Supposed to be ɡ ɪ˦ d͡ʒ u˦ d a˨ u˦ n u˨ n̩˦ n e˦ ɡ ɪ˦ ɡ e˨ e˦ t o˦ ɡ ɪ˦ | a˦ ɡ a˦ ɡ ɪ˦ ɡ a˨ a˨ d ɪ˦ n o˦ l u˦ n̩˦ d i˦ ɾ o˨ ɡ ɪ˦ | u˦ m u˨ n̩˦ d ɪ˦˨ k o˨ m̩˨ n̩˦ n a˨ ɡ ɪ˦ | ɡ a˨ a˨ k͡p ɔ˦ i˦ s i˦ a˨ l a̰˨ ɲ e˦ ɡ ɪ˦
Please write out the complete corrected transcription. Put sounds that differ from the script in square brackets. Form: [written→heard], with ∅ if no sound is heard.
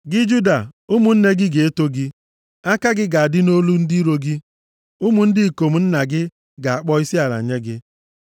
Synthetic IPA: ɡ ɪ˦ d͡ʒ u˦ d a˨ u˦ [n→m] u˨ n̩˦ n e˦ ɡ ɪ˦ ɡ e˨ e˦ t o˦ ɡ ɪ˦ | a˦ [ɡ→k] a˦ ɡ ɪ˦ ɡ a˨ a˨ d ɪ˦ n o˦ l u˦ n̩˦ d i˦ ɾ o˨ ɡ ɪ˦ | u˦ m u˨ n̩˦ d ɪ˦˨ k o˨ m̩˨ n̩˦ n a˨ ɡ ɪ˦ | ɡ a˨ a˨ k͡p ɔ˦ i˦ s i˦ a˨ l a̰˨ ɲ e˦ ɡ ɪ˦